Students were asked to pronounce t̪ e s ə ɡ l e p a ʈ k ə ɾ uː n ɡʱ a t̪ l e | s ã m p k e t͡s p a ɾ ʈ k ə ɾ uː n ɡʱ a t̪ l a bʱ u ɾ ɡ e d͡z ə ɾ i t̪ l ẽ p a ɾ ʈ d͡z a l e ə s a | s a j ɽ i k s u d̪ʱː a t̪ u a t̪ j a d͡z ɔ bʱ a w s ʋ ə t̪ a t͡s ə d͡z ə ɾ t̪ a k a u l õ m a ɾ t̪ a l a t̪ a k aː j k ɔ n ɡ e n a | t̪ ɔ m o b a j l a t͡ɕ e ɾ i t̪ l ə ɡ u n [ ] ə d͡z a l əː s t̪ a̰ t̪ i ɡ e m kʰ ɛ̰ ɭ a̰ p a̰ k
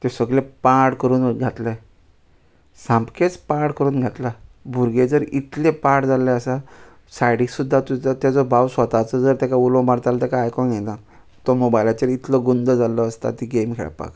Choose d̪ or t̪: d̪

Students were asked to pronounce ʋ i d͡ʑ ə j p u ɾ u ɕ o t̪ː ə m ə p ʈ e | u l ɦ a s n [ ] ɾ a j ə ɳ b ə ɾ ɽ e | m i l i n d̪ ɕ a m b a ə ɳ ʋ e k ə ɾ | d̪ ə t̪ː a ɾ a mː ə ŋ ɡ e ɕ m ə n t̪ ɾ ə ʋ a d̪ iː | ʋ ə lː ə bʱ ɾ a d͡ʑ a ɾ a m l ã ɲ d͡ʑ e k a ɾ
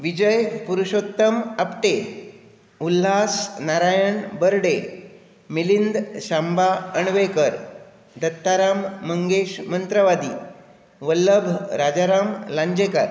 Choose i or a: a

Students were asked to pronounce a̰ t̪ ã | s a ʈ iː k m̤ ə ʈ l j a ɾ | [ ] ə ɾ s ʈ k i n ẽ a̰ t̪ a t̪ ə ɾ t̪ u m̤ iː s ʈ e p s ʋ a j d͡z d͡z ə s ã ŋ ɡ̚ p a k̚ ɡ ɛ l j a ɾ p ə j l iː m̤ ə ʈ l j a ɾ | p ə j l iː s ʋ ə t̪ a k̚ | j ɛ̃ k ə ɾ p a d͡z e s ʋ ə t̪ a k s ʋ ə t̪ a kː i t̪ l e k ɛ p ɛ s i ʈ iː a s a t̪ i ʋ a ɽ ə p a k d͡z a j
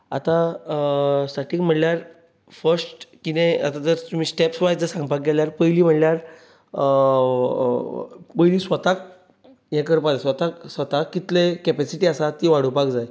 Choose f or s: f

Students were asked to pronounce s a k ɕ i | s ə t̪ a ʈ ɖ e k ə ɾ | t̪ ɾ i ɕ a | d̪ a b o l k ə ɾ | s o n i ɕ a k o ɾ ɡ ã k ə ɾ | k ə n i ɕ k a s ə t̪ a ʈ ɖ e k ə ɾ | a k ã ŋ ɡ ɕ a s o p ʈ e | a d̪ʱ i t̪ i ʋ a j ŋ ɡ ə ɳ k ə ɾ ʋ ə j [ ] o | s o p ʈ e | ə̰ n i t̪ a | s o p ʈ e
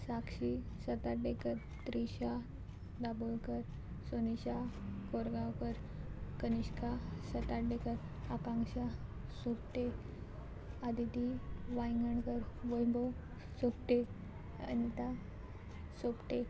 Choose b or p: b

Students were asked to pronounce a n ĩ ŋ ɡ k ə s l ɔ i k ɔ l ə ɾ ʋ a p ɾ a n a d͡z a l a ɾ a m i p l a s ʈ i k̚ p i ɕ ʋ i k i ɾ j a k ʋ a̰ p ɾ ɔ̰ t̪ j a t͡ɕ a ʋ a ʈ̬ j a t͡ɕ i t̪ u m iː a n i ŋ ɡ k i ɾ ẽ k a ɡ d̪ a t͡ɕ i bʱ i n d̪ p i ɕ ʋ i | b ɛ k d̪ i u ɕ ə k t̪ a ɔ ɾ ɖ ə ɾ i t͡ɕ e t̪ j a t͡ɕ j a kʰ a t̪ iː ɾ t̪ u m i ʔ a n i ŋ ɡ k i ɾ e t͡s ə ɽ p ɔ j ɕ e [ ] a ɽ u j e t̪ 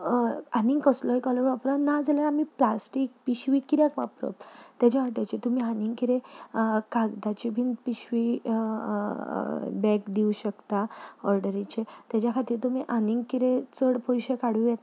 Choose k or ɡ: k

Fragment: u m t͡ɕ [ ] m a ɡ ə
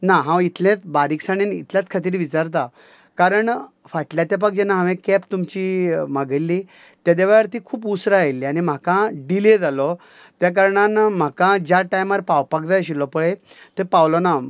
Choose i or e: i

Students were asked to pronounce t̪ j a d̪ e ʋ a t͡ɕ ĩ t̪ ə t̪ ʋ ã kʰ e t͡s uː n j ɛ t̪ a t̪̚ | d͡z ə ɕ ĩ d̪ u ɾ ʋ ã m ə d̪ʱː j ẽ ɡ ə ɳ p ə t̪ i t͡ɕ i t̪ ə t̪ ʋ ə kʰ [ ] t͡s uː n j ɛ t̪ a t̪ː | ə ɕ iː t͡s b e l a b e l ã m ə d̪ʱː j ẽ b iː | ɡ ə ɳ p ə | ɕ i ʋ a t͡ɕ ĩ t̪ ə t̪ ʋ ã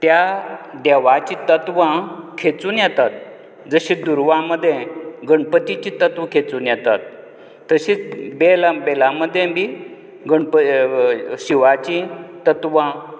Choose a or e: e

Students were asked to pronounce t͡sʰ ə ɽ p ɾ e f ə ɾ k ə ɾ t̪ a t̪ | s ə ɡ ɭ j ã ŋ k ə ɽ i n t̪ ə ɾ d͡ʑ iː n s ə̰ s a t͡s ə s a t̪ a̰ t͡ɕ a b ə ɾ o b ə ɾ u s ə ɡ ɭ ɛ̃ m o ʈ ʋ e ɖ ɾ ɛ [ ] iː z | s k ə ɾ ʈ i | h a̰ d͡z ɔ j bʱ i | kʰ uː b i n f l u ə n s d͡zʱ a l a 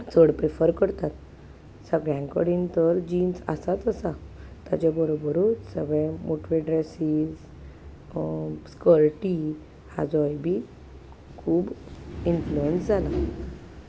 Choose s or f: s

